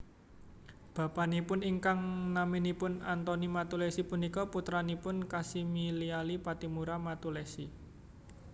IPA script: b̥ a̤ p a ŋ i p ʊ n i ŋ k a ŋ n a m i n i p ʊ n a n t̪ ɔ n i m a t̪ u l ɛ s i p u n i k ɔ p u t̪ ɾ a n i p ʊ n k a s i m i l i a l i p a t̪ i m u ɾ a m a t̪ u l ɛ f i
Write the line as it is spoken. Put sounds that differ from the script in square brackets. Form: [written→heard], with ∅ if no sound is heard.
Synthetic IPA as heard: b̥ a̤ p a [ŋ→n] i p ʊ n i ŋ k a ŋ n a m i n i p ʊ n a n t̪ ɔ n i m a t̪ u l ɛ s i p u n i k ɔ p u t̪ ɾ a n i p ʊ n k a s i m i l i a l i p a t̪ i m u ɾ a m a t̪ u l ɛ [f→s] i